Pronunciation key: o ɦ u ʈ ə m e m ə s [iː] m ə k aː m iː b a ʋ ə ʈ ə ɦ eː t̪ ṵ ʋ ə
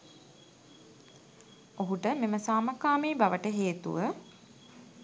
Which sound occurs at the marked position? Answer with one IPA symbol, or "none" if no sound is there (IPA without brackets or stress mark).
aː